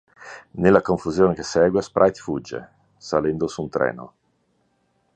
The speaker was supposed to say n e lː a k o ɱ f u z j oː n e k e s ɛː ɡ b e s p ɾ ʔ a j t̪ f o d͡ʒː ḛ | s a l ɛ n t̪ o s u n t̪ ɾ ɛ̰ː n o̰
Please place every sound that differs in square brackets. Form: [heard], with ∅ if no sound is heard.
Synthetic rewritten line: n e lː a k o ɱ f u z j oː n e k e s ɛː ɡ [w] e s p ɾ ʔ a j t̪ f [u] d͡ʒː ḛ | s a l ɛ n [d̪] o s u n t̪ ɾ ɛ̰ː n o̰